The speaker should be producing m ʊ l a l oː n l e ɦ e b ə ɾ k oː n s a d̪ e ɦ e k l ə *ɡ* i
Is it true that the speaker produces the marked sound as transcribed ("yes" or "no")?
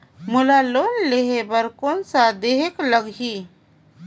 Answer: yes